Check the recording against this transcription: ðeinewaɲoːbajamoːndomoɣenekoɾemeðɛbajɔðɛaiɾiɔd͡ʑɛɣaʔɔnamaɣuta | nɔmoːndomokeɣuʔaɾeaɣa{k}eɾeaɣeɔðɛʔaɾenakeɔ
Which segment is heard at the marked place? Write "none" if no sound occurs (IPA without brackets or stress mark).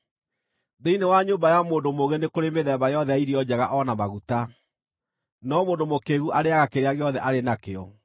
k